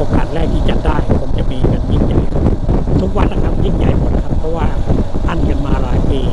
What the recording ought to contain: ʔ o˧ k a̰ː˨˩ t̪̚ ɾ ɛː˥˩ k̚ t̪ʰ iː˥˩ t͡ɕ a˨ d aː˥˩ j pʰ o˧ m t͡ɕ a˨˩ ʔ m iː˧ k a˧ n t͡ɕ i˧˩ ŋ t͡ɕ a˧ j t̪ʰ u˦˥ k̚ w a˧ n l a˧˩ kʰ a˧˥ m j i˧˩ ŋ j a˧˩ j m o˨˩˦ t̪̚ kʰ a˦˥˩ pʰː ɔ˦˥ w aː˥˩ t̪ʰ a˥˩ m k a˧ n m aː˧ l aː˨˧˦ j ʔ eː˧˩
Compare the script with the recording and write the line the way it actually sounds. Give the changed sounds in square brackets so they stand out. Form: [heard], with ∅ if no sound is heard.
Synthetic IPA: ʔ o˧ k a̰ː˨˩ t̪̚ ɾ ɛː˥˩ k̚ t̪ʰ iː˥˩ t͡ɕ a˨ d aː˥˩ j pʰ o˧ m t͡ɕ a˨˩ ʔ m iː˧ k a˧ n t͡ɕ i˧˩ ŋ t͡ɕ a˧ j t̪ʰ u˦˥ k̚ w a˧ n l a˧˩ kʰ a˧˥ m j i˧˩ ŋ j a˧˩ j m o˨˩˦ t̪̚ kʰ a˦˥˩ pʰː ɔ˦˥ w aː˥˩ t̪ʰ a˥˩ [n] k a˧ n m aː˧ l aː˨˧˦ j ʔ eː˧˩